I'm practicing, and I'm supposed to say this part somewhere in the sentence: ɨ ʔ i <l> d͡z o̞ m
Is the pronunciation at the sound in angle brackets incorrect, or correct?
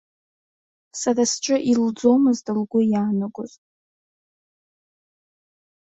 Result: correct